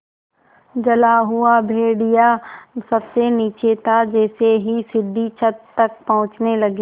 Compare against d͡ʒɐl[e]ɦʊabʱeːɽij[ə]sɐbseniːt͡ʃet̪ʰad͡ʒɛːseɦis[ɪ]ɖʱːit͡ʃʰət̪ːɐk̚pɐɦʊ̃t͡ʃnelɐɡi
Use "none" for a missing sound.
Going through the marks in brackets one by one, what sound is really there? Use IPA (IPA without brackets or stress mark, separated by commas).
a, a, ɪ